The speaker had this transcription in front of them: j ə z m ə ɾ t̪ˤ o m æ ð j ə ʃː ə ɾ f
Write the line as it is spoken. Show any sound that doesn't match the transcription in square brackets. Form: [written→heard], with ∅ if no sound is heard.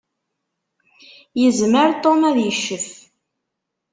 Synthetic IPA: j ə z m ə ɾ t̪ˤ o m æ ð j ə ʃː ə [ɾ→∅] f